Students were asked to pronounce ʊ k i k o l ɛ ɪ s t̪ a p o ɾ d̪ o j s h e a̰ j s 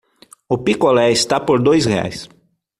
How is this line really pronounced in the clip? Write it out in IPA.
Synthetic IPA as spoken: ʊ p i k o l ɛ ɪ s t̪ a p o ɾ d̪ o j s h e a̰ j s